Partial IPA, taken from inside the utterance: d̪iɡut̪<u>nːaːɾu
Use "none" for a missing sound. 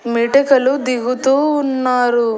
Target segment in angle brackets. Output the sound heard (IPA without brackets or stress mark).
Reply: uː